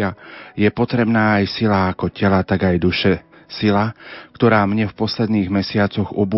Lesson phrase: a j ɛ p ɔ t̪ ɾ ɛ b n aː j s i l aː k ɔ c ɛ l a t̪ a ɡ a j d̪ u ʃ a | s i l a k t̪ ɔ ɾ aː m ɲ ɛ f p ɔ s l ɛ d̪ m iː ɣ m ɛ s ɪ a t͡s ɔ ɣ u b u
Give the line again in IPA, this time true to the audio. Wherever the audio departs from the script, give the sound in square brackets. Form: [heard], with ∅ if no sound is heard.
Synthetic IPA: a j ɛ p ɔ t̪ ɾ ɛ b n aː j s i l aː k ɔ c ɛ l a t̪ a ɡ a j d̪ u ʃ [ɛ] | s i l a k t̪ ɔ ɾ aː m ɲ ɛ f p ɔ s l ɛ d̪ [n] iː ɣ m ɛ s ɪ a t͡s ɔ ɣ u b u